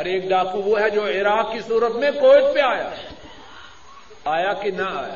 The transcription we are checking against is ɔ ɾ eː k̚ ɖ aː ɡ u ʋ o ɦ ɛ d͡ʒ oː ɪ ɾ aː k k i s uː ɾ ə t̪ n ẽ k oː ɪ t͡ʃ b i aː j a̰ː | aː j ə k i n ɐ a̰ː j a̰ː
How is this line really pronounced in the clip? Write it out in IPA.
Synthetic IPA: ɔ ɾ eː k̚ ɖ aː k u ʋ o ɦ ɛ d͡ʒ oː ɪ ɾ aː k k i s uː ɾ ə t̪ m ẽ k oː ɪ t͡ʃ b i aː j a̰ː | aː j a k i n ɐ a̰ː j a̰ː